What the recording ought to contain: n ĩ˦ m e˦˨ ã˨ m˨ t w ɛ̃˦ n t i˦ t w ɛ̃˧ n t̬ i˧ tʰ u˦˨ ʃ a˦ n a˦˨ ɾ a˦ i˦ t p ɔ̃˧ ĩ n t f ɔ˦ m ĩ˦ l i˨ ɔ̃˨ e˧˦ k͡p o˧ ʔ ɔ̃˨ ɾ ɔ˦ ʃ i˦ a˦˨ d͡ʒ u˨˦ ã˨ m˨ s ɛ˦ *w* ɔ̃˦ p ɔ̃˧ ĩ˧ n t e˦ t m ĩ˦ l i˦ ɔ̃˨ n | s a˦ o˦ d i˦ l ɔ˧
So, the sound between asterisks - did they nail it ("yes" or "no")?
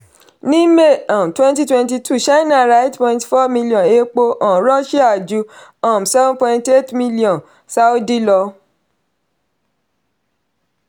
no